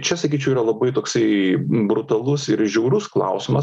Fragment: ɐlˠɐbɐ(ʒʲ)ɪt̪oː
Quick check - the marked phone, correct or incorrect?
incorrect